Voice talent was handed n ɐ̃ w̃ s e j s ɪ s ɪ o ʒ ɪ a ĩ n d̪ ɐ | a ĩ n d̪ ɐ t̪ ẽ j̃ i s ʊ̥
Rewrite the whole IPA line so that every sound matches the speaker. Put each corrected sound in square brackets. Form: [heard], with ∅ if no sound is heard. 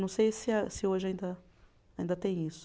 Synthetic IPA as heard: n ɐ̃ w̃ s e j s ɪ s ɪ o ʒ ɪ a ĩ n d̪ ɐ | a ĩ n d̪ ɐ t̪ ẽ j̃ i s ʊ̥